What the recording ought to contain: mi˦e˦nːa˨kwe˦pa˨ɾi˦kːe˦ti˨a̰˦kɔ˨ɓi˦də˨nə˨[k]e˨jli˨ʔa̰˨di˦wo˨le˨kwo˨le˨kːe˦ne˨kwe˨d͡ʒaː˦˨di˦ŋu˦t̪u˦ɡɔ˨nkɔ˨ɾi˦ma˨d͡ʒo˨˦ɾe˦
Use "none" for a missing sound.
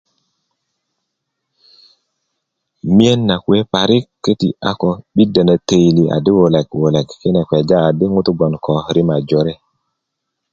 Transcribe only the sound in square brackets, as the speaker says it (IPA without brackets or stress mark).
t